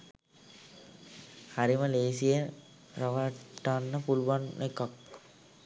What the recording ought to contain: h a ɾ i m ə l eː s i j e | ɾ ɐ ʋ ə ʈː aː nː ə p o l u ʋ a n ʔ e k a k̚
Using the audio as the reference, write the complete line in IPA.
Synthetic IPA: h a ɾ i m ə l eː s i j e | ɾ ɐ ʋ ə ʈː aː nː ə p u l u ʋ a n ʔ e k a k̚